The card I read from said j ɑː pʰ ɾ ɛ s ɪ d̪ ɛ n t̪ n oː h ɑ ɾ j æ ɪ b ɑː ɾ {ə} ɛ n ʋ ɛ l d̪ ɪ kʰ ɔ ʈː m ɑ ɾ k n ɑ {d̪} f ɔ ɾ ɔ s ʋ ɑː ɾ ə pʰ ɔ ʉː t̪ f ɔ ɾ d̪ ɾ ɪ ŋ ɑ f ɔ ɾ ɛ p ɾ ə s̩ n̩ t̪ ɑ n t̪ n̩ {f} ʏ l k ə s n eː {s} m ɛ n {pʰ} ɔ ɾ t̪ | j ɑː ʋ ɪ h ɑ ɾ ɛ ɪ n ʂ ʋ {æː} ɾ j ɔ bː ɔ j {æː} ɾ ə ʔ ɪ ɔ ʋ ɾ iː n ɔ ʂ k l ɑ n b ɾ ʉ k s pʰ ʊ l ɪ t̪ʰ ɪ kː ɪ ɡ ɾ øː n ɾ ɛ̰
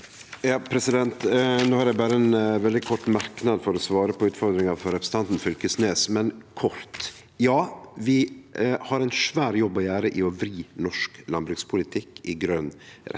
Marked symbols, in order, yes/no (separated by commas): yes, yes, yes, yes, no, yes, yes